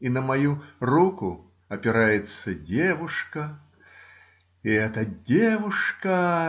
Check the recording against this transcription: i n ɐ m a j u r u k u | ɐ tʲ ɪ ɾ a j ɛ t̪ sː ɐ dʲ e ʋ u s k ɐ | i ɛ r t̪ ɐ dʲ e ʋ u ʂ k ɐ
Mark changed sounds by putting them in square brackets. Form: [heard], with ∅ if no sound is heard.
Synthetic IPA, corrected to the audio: i n ɐ m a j u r u k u | ɐ [pʲ] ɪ ɾ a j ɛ t̪ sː ɐ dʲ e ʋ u [ʂ] k ɐ | i ɛ [∅] t̪ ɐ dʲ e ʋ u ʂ k ɐ